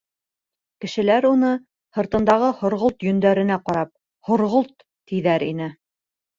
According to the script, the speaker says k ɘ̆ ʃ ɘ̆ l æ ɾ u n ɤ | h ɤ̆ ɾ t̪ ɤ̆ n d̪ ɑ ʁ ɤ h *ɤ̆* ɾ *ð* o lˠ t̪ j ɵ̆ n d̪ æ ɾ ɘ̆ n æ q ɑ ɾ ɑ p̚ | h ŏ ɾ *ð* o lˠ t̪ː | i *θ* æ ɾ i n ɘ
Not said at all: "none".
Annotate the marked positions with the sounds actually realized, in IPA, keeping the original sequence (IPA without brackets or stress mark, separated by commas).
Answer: ŏ, ʁ, ʁ, ð